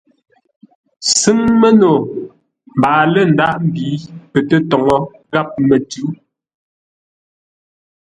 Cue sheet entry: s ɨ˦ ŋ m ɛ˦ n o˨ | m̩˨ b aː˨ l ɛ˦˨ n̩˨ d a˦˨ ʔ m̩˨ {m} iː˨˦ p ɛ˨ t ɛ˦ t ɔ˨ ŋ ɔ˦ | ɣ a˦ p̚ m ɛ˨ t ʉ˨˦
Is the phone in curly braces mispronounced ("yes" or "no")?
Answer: yes